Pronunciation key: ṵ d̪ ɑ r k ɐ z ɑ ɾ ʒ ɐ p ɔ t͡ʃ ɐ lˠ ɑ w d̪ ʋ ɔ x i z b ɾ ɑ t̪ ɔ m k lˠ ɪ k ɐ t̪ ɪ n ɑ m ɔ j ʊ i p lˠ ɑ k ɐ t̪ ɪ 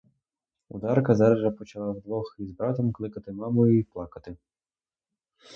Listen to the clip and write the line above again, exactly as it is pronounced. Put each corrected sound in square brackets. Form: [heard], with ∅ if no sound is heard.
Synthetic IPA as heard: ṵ d̪ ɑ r k ɐ z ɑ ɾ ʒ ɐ p ɔ t͡ʃ ɐ lˠ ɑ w d̪ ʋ ɔ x i z b ɾ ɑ t̪ ɔ m k lˠ ɪ k ɐ t̪ ɪ [m] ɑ m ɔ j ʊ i p lˠ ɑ k ɐ t̪ ɪ